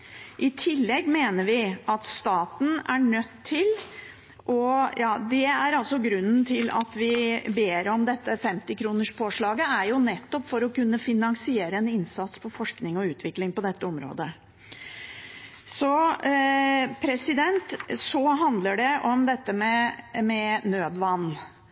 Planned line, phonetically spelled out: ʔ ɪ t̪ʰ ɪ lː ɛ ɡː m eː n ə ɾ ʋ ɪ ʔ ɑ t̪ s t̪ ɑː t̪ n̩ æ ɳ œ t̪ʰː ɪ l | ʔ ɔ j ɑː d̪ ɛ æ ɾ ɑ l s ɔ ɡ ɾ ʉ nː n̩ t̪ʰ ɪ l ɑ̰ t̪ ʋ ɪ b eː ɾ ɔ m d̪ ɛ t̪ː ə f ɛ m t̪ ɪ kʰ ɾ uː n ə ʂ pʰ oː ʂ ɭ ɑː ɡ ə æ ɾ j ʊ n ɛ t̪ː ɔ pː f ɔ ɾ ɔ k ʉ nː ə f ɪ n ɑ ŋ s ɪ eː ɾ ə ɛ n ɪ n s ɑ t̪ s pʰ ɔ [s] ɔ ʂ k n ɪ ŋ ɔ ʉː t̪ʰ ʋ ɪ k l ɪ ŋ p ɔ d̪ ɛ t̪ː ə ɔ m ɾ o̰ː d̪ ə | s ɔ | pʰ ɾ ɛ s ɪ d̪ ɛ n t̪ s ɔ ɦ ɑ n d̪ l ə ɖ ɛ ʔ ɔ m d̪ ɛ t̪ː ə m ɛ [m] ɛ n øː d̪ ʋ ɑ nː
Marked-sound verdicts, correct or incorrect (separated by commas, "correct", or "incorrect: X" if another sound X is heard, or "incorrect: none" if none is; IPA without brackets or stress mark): incorrect: f, correct